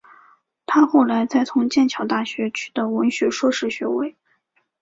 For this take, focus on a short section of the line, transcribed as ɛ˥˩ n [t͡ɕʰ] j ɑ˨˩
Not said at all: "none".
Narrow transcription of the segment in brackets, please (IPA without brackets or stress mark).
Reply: t͡ɕʰ